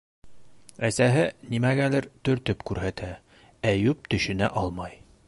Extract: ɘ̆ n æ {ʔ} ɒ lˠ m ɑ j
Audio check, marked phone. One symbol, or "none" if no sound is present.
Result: ʔ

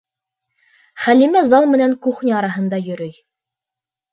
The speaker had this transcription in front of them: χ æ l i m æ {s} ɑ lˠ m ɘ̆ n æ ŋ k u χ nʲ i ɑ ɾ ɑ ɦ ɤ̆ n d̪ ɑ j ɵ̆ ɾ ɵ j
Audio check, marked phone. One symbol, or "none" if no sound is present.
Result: z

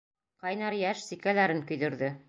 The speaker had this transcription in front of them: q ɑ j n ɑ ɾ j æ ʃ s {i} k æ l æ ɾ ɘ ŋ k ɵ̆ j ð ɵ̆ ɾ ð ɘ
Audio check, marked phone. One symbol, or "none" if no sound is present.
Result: i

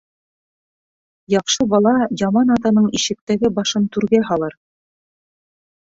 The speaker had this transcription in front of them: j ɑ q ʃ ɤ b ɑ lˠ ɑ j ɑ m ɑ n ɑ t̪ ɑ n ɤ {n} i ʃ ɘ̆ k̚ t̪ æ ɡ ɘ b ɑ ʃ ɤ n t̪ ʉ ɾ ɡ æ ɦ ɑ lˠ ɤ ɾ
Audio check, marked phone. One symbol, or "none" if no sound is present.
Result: ɴ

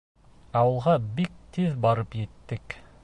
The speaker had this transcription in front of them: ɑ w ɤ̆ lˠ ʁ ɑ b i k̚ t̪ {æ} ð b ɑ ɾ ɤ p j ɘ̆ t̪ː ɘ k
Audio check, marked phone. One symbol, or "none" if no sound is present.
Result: i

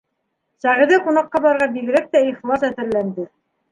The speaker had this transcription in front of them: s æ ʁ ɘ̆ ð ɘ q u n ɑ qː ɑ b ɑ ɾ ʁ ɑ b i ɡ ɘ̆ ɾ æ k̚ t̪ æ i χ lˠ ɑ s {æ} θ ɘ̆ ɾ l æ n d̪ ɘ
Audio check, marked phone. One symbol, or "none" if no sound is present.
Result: æ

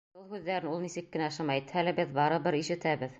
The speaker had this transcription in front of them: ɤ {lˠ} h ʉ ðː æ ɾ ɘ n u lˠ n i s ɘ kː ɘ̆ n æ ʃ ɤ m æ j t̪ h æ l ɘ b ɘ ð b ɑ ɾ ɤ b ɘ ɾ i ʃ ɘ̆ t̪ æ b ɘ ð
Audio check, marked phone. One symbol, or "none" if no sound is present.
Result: lˠ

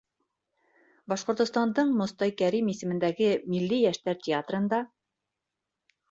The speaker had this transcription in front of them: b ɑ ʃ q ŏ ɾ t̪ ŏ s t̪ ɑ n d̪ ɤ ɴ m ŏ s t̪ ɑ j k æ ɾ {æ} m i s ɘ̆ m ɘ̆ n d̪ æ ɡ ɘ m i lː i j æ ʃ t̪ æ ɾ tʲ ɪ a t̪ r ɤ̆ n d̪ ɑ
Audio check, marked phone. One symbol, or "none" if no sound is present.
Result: i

